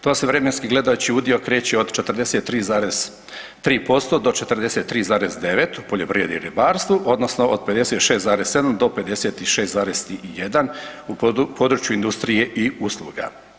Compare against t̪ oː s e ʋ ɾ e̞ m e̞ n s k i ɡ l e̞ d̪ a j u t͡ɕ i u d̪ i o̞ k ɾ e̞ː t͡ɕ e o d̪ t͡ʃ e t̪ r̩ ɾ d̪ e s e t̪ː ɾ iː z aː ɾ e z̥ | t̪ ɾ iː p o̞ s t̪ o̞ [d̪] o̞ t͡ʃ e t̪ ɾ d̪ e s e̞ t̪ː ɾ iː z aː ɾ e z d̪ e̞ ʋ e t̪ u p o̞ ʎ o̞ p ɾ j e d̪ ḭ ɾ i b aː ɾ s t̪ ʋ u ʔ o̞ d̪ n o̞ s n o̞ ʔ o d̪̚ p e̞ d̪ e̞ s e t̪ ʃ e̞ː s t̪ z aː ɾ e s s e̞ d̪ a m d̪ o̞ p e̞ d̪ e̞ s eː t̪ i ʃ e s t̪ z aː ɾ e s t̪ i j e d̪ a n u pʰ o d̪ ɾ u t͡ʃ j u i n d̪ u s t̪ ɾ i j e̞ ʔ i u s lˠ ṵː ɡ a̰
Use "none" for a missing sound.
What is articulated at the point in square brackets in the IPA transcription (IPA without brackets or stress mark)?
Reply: d̪